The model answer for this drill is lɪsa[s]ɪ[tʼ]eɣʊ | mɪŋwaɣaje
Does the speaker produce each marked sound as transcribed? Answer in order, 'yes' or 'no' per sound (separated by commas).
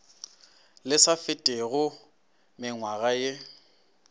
no, yes